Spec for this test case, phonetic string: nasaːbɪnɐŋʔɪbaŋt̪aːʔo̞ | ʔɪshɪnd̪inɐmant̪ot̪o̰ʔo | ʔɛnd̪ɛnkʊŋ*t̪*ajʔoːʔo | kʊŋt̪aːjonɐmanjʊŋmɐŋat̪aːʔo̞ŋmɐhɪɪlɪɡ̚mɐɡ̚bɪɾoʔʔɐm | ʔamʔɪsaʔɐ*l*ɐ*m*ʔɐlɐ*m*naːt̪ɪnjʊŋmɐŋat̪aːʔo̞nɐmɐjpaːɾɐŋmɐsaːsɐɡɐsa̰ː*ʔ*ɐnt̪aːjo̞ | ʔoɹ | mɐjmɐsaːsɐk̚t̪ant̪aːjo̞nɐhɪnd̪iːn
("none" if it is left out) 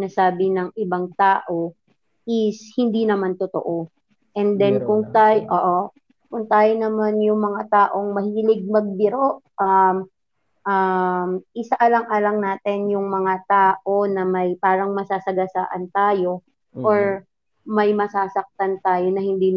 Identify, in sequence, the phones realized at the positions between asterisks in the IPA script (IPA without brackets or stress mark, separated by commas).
t̪, l, ŋ, ŋ, ʔ